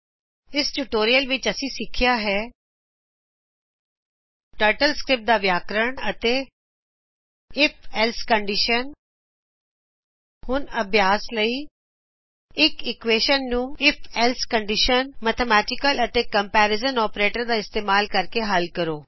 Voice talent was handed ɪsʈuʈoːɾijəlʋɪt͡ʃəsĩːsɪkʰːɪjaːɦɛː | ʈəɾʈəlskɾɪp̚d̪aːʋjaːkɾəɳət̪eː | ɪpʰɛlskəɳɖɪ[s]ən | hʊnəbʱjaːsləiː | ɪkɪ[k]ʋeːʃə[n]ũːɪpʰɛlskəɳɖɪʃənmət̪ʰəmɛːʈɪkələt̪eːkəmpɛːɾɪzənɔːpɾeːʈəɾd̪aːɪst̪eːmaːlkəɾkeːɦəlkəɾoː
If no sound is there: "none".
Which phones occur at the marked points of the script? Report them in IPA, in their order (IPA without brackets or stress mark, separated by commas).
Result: ʃ, k, nː